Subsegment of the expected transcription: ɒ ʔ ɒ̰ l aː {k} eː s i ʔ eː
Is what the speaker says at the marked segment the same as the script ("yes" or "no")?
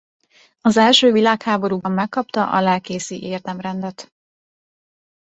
yes